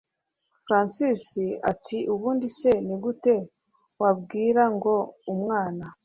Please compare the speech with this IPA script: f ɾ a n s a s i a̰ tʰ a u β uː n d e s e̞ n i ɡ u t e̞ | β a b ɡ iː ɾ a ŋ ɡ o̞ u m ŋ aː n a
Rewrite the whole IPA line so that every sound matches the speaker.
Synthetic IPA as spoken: f ɾ a n s i s i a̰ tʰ i u β uː n d i s e̞ n i ɡ u t e̞ | w a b ɡ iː ɾ a ŋ ɡ o̞ u m ŋ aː n a